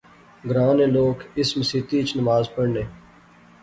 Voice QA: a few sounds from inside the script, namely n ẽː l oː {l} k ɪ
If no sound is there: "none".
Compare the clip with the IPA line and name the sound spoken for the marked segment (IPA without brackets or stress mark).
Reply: none